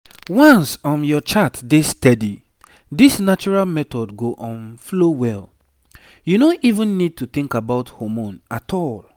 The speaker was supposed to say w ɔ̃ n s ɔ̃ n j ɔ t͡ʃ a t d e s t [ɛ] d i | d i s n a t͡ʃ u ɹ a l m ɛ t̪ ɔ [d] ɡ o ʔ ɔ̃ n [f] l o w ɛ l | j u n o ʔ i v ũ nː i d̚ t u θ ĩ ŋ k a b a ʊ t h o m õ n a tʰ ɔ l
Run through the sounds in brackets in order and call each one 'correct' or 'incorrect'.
correct, correct, correct

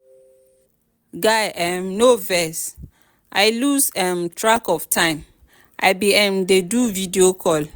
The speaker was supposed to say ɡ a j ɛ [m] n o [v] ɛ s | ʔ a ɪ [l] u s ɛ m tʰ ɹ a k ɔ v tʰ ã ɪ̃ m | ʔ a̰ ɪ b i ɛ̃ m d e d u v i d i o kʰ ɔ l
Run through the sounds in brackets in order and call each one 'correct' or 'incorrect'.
correct, correct, correct

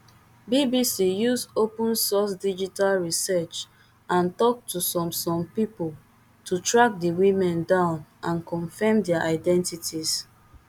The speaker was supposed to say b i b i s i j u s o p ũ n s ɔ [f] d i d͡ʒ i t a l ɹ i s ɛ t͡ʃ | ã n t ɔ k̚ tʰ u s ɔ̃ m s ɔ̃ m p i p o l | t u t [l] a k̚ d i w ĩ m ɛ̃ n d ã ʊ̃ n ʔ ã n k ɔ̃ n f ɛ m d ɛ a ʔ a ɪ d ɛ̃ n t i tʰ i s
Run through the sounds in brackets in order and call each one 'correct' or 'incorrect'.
incorrect: s, incorrect: ɹ

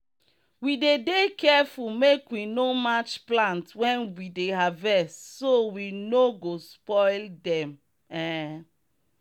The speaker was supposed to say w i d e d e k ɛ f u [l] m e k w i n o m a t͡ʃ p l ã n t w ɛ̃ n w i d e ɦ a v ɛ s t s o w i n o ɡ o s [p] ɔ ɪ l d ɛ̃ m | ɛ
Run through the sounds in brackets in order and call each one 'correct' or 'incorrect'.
correct, correct

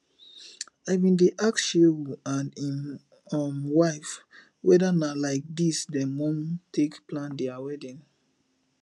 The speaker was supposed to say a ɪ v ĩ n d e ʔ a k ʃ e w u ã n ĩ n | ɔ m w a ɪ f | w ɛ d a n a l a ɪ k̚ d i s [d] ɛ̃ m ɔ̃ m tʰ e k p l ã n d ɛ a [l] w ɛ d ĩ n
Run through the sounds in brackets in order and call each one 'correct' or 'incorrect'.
correct, incorrect: none

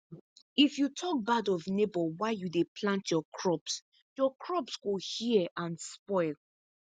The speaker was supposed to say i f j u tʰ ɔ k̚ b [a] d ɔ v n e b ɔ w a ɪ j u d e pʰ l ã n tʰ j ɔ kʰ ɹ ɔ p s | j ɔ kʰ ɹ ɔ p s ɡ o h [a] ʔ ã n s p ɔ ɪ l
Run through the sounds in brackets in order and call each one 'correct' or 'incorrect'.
correct, incorrect: i

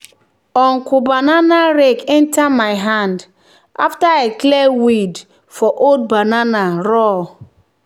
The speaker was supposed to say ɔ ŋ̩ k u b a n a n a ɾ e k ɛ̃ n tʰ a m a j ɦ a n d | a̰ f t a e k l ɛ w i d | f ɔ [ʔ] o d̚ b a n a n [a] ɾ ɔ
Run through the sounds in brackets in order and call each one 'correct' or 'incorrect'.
correct, correct

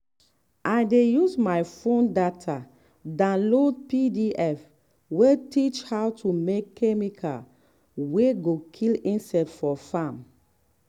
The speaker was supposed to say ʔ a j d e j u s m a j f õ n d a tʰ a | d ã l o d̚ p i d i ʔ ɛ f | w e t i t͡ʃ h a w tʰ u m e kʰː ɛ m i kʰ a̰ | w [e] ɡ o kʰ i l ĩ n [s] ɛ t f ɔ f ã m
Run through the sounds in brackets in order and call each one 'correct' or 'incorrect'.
correct, correct

